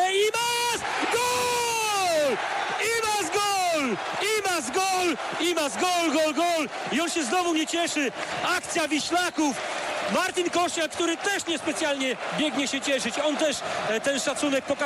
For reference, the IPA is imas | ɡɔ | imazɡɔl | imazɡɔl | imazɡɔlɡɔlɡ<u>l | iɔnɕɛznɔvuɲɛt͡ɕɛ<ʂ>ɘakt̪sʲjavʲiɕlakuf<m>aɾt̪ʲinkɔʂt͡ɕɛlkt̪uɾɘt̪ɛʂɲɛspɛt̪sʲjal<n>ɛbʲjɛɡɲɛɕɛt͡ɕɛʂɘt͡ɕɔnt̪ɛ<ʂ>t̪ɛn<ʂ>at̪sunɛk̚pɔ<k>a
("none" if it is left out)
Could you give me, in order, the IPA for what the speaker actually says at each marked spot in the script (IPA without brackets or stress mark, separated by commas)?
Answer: ɔ, ʂ, m, ɲ, ʂ, ʂ, k